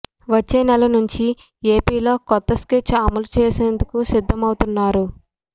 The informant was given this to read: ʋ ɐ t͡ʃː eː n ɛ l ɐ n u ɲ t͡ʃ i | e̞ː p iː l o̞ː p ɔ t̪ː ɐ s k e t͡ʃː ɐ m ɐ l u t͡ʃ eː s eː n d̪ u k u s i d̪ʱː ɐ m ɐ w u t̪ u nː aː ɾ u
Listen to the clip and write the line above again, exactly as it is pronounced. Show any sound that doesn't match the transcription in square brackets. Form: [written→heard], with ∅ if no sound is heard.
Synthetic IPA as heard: ʋ ɐ t͡ʃː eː n ɛ l ɐ n u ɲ t͡ʃ i | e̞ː p iː l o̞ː [p→k] ɔ t̪ː ɐ s k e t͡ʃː ɐ m ɐ l u t͡ʃ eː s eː n d̪ u k u s i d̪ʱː ɐ m ɐ w u t̪ u nː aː ɾ u